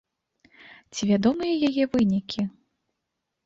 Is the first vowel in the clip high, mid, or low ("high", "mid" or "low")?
high